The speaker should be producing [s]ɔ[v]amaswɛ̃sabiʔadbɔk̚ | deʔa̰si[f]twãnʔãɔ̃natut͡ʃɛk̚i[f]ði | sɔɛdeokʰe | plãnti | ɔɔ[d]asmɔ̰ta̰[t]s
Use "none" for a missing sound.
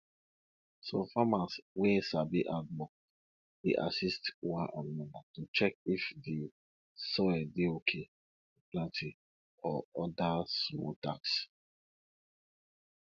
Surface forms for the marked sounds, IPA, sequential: s, f, s, f, d, k

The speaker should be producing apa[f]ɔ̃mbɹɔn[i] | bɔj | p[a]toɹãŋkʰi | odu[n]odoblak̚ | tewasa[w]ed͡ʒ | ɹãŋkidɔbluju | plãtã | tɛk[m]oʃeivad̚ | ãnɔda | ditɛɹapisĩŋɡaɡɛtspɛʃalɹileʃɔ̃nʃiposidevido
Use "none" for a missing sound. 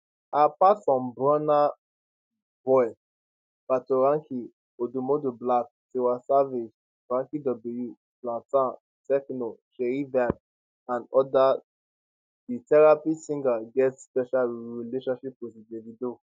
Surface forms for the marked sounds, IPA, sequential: s, a, a, m, v, n

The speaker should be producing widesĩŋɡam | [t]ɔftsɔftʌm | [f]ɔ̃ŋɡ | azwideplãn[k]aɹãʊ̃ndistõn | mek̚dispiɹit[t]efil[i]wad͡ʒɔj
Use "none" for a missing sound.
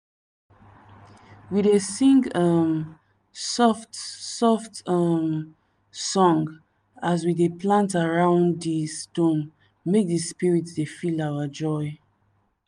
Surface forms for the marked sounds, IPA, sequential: s, s, t, d, a

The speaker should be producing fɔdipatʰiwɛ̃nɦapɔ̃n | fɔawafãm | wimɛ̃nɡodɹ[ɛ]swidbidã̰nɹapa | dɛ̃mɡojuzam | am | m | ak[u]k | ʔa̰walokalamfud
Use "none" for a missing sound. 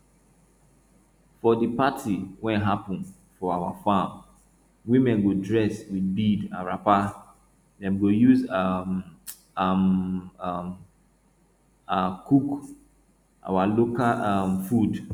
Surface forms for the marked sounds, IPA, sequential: ɛ, u

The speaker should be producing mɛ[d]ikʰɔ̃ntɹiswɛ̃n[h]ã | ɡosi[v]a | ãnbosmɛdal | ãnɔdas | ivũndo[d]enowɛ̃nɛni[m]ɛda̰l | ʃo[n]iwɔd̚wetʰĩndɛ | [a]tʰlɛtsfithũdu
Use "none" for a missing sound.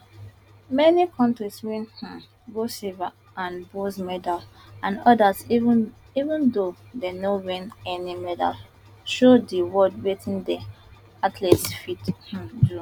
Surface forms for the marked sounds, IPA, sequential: n, h, v, d, m, d, a

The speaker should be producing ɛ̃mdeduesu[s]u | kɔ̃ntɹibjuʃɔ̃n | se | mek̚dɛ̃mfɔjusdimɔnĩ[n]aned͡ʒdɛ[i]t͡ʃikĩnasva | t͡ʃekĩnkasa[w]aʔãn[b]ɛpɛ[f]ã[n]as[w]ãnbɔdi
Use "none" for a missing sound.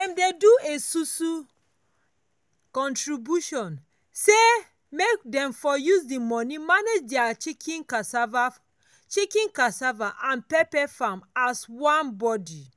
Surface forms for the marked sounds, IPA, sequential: s, m, a, v, p, f, m, w

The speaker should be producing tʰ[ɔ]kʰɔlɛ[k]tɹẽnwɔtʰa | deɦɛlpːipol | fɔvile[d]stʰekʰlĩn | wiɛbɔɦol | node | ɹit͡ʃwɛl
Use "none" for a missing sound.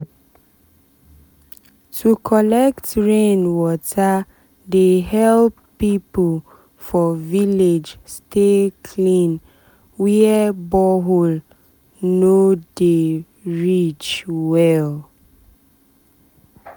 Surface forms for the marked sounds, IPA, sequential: u, k, d͡ʒ

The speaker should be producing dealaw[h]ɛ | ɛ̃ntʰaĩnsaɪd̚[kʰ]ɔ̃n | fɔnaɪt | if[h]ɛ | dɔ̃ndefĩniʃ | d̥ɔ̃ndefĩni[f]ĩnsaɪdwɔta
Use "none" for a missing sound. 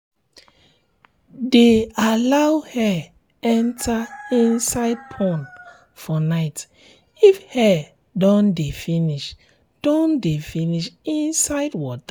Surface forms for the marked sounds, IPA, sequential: h, pʰ, h, ʃ

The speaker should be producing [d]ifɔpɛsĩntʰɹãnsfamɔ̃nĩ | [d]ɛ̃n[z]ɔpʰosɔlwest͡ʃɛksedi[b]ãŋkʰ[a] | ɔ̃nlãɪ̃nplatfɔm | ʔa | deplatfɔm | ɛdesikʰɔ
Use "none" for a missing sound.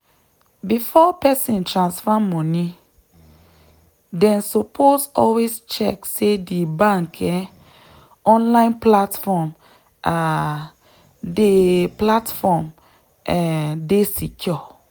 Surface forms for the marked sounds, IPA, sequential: b, d, s, b, ɛ

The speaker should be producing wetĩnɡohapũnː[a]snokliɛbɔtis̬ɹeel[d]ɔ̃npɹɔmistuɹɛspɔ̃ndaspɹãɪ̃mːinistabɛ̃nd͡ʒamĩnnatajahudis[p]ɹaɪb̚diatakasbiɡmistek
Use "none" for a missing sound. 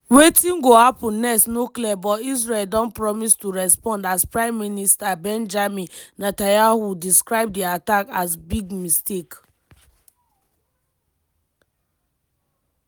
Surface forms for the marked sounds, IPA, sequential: ɛ, d, k

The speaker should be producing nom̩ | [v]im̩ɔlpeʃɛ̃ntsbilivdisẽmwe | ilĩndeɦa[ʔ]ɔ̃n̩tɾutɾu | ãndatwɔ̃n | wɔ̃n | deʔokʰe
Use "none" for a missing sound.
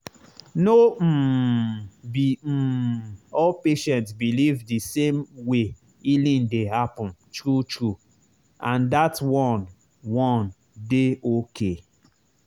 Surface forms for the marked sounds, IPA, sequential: b, p

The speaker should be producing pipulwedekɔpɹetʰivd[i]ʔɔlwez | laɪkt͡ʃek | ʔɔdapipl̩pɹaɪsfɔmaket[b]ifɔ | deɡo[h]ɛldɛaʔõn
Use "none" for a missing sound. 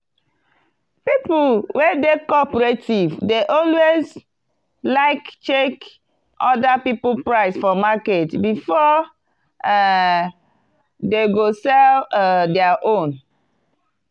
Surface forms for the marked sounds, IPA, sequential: e, b, s

